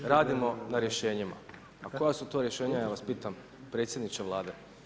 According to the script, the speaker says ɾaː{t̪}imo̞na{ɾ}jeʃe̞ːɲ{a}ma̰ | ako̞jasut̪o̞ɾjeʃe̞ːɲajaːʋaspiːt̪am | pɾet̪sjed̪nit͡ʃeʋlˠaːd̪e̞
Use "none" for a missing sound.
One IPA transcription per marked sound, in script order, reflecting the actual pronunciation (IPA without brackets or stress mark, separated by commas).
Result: d̪, ɾ, i